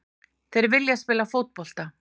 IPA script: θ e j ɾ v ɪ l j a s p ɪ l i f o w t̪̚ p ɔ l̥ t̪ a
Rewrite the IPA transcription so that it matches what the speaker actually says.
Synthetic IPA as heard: θ e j ɾ v ɪ l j a s p ɪː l a f o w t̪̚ p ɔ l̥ t̪ a